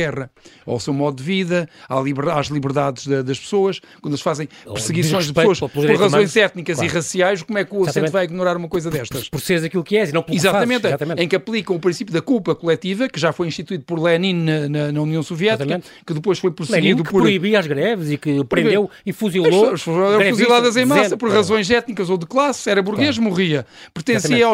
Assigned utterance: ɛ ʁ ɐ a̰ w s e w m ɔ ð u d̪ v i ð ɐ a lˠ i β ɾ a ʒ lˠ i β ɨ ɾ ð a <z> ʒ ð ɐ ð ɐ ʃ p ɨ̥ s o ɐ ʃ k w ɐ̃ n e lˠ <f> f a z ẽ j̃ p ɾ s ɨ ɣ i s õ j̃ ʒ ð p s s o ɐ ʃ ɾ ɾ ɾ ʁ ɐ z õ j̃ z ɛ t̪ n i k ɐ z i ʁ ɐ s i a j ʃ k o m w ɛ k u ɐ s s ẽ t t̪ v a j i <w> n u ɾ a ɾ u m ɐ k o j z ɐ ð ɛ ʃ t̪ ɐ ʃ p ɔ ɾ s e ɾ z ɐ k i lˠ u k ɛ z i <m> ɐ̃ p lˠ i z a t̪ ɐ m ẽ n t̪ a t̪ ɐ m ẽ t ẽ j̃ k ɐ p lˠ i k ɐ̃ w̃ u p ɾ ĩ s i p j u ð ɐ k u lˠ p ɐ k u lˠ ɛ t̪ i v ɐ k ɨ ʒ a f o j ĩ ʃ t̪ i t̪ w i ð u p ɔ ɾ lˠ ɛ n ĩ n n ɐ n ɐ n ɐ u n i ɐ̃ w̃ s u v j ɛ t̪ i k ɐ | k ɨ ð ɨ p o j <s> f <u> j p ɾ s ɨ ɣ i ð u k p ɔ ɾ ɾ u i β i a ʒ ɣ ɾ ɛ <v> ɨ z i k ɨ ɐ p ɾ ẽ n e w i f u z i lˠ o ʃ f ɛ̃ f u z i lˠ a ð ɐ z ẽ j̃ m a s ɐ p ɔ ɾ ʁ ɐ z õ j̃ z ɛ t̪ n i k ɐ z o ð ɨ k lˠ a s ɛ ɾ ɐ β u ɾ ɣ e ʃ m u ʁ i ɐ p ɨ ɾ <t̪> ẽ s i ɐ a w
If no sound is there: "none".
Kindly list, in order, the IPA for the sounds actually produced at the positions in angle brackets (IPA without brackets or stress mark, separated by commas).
ð, ʃ, ɣ, n, ʃ, o, v, t̪